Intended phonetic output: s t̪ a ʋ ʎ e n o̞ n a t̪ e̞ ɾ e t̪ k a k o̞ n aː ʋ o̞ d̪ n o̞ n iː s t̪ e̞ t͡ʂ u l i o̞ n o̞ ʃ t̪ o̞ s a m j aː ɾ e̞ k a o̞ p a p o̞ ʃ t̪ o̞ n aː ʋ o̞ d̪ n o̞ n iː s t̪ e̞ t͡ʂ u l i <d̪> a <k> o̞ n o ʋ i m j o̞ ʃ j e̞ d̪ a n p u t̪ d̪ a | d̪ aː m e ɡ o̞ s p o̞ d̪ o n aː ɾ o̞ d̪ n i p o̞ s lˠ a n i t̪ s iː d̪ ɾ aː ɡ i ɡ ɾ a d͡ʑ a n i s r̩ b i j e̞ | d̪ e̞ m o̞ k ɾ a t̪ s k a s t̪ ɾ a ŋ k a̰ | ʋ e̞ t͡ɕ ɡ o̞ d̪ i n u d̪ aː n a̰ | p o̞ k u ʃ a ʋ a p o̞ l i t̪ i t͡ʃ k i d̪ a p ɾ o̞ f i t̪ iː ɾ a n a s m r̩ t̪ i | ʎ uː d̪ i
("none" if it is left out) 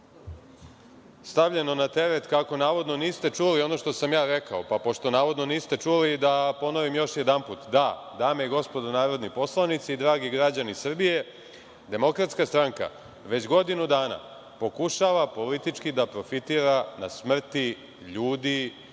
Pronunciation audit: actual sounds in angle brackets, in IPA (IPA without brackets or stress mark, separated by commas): d̪, p